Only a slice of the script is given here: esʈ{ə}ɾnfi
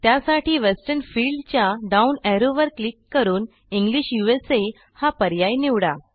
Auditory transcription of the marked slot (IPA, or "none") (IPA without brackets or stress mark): ə